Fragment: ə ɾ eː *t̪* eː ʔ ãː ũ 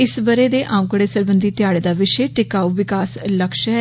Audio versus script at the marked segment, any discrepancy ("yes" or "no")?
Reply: yes